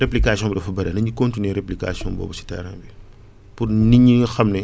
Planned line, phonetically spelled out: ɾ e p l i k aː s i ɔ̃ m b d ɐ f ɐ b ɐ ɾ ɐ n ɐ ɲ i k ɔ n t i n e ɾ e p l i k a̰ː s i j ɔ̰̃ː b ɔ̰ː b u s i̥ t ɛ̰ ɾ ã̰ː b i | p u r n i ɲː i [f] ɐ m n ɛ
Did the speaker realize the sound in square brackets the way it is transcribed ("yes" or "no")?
no